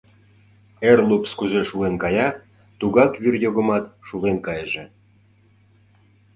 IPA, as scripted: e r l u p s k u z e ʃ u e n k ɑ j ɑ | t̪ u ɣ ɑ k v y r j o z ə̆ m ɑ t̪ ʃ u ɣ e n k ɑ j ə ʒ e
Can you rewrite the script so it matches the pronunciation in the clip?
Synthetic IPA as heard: e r l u p s k u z e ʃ u e n k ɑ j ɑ | t̪ u ɣ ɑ k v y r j o ɣ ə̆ m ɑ t̪ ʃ u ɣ e n k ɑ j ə ʒ e